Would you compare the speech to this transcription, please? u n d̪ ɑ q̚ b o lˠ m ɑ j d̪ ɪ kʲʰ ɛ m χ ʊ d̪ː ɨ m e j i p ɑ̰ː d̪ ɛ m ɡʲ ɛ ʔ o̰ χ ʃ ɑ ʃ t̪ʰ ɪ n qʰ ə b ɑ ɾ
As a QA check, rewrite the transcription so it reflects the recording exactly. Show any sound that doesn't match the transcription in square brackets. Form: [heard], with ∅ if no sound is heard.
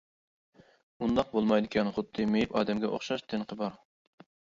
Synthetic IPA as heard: u n d̪ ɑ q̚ b o lˠ m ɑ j d̪ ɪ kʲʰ ɛ [n] χ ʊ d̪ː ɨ m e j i p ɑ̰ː d̪ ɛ m ɡʲ ɛ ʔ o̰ χ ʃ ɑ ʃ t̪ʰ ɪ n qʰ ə b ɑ ɾ